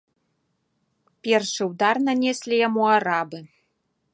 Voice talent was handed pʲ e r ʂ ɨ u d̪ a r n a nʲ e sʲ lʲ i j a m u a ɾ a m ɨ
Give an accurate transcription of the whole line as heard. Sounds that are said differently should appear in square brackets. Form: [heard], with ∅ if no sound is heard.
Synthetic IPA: pʲ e r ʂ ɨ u d̪ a r n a nʲ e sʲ lʲ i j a m u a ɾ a [b] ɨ